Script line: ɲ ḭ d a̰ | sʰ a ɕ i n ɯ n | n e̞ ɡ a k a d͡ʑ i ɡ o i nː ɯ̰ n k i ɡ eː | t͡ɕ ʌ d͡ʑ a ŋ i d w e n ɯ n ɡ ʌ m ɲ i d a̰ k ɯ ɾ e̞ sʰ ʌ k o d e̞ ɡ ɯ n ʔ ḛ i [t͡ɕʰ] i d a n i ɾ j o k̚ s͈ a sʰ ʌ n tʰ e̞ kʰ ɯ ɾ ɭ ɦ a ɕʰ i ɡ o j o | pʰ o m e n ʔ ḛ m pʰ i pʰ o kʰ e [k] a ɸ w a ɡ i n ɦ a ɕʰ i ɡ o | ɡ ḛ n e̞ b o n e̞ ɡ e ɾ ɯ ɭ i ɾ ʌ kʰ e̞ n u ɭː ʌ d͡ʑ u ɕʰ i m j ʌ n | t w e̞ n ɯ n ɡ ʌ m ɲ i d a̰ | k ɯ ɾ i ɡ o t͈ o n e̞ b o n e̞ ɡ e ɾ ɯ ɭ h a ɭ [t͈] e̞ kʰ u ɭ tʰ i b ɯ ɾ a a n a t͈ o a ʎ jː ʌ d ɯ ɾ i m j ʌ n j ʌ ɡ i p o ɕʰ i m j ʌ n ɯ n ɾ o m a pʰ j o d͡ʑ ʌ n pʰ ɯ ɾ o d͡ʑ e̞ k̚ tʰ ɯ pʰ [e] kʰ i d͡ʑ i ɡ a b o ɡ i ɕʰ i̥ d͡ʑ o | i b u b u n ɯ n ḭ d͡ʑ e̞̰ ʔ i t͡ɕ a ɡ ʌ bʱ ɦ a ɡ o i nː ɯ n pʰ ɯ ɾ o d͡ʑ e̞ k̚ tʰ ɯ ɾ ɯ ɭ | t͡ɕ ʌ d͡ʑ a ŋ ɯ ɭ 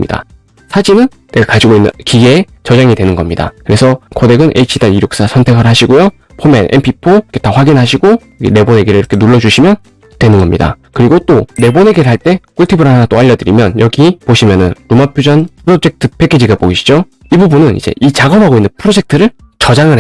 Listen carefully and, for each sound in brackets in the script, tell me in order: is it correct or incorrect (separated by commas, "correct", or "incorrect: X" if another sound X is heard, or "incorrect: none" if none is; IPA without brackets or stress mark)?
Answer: correct, incorrect: t, correct, correct